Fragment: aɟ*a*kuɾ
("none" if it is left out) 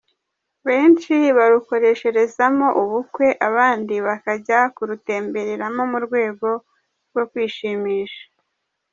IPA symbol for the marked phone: a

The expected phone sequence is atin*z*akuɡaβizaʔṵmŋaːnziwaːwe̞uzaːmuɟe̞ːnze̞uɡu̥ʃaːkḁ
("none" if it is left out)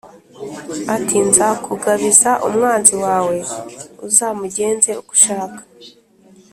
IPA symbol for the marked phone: z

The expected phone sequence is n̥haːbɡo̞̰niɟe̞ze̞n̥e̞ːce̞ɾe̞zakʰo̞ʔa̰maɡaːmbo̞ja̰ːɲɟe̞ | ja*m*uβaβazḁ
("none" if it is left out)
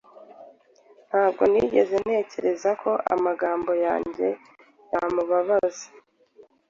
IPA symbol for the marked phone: m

